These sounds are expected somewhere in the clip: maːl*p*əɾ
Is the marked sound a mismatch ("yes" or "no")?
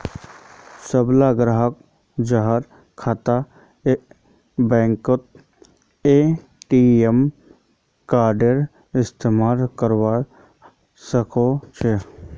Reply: yes